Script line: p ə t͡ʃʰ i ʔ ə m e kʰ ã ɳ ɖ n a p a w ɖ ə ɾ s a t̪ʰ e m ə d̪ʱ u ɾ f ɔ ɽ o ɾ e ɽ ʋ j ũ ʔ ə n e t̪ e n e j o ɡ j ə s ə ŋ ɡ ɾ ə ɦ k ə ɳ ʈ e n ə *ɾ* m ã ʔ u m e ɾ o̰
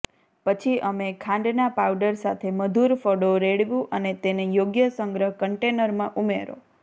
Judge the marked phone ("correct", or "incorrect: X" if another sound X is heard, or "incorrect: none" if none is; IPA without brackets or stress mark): correct